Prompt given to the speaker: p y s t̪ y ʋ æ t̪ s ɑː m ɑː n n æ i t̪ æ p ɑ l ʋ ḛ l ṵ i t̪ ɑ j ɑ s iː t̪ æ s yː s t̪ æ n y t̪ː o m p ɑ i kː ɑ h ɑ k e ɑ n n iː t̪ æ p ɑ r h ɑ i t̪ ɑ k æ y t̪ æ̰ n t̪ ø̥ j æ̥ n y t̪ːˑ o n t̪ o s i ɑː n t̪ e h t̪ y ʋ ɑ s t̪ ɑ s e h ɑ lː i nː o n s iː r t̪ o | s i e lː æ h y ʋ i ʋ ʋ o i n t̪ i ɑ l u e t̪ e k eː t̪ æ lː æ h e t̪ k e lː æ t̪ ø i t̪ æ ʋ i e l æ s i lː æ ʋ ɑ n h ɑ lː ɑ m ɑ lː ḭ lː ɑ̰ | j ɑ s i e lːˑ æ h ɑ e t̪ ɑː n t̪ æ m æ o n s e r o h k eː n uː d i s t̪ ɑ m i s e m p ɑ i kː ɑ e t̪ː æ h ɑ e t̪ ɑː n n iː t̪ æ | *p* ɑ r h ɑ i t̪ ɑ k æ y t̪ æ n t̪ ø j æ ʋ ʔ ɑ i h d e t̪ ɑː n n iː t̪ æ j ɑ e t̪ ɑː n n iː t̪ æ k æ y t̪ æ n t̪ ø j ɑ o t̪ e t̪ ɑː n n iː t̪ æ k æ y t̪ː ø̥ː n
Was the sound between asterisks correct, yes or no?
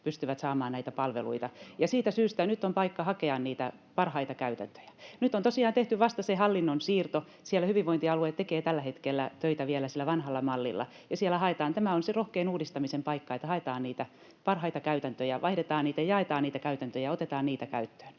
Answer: yes